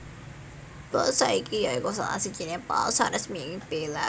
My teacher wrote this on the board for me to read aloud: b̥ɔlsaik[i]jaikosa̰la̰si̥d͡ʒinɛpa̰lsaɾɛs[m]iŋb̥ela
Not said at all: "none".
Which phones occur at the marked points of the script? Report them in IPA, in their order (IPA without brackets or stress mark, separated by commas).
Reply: i, m